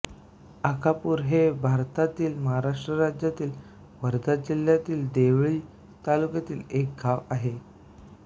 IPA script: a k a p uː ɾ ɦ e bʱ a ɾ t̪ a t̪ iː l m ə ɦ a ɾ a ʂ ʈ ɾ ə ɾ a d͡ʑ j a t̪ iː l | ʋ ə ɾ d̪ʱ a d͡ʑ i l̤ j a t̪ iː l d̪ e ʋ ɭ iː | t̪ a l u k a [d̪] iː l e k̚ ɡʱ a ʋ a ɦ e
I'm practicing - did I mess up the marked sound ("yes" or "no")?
yes